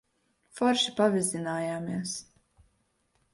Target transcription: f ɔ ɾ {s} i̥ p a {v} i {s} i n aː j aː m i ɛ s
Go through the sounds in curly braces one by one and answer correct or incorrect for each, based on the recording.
incorrect: ʃ, correct, incorrect: z

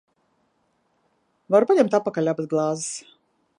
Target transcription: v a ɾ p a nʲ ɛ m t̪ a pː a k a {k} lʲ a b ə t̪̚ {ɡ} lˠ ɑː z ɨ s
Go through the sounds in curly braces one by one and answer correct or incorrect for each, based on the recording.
incorrect: none, correct

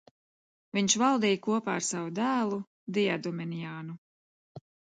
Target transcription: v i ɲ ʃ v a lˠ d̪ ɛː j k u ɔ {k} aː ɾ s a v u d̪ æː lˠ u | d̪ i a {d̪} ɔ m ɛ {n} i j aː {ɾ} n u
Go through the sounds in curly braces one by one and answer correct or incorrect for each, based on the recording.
incorrect: p, correct, correct, incorrect: none

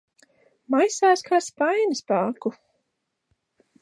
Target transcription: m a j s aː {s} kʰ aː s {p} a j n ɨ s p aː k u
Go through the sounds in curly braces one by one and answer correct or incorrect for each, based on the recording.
correct, correct

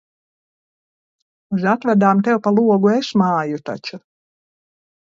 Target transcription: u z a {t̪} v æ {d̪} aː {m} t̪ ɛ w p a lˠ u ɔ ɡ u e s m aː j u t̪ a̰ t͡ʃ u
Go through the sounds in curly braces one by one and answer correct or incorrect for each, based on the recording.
correct, correct, correct

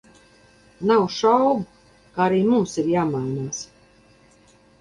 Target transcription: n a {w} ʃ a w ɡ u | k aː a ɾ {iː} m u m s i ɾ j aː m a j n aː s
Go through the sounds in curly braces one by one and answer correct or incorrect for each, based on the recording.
correct, correct

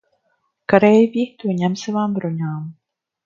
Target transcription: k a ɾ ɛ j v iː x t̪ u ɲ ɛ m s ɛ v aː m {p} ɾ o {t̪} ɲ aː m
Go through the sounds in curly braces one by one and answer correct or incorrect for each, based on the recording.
incorrect: b, incorrect: none

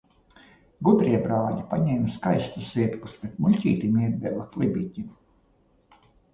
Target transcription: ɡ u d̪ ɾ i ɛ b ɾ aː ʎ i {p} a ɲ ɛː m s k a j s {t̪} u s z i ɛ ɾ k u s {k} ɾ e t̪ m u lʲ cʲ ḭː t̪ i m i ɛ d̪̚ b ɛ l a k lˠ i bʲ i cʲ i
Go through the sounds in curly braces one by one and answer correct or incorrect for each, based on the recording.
correct, correct, incorrect: p

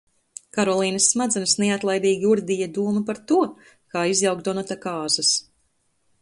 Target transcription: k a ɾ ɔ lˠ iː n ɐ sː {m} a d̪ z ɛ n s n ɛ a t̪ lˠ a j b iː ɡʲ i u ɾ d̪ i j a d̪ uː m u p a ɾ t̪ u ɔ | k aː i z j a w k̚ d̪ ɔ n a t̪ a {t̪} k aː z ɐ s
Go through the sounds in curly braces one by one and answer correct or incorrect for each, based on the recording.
correct, incorrect: none

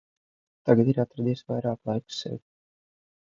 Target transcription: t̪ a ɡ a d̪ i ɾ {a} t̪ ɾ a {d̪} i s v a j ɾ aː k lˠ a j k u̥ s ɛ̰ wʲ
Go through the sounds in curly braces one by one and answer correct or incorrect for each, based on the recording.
correct, correct

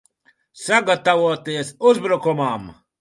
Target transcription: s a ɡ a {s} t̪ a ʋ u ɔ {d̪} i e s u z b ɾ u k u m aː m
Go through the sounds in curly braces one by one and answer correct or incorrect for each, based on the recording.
incorrect: none, incorrect: t̪

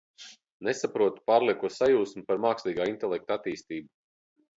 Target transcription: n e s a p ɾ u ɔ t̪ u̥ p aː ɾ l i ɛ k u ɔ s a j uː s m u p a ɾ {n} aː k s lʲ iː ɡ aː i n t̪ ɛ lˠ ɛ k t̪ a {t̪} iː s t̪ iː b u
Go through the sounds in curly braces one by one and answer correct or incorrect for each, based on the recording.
incorrect: m, correct

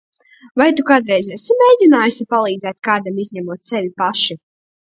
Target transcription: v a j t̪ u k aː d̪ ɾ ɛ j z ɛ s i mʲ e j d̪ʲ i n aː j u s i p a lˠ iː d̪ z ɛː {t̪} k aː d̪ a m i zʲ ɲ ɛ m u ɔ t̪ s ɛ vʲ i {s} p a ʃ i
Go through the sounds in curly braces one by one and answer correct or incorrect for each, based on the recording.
correct, incorrect: none

